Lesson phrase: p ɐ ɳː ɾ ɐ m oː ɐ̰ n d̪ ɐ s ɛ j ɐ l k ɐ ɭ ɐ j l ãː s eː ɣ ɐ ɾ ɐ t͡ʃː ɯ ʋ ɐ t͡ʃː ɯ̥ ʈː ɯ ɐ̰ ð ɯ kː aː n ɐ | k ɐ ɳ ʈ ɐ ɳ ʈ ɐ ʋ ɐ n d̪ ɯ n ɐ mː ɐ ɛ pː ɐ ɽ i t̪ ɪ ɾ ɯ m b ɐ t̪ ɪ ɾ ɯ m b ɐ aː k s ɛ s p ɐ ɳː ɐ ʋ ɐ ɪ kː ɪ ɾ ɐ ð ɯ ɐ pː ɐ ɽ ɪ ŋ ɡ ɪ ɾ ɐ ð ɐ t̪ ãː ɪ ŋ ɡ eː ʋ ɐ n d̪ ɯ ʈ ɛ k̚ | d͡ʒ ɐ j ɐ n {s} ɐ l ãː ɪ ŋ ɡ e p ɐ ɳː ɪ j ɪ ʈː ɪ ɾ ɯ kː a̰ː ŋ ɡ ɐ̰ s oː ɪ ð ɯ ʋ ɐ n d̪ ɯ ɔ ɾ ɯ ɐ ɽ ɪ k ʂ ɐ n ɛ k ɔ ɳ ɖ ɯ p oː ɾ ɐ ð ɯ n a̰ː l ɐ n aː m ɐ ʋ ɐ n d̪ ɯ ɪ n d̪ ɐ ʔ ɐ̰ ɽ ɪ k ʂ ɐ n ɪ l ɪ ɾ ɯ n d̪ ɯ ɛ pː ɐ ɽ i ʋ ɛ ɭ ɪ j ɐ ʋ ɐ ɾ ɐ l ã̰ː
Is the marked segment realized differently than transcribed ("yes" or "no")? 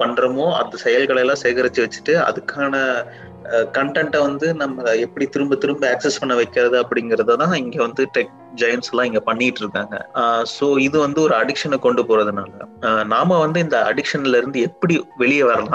no